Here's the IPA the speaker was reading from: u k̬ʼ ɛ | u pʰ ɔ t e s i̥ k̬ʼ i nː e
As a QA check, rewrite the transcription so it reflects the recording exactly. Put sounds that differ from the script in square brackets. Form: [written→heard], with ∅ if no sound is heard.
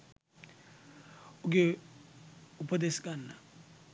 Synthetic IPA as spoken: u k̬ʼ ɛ | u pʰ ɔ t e s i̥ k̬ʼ [i→a] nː [e→a]